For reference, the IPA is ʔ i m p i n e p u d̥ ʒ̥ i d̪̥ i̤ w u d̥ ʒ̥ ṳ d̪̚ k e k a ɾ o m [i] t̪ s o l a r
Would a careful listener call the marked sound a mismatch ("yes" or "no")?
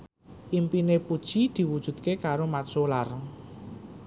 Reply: yes